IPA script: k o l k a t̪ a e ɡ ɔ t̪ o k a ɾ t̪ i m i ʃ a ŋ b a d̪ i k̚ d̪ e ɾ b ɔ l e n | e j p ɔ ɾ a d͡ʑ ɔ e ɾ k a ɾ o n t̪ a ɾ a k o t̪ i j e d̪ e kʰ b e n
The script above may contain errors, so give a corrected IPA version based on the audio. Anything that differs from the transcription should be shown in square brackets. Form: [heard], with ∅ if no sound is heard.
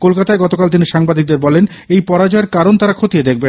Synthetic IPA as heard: k o l k a t̪ a e ɡ ɔ t̪ o k a [l] t̪ i [n] i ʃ a ŋ b a d̪ i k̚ d̪ e ɾ b ɔ l e n | e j p ɔ ɾ a d͡ʑ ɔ e ɾ k a ɾ o n t̪ a ɾ a [kʰ] o t̪ i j e d̪ e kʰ b e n